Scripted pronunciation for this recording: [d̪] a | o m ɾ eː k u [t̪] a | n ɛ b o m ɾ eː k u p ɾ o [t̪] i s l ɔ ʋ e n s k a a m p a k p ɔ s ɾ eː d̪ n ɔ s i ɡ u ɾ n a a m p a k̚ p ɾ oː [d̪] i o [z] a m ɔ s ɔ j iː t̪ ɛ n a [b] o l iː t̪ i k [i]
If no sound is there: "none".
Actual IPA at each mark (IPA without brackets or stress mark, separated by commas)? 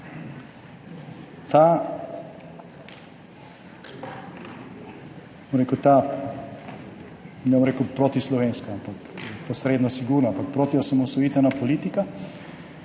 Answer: t̪, t̪, t̪, t̪, s, p, a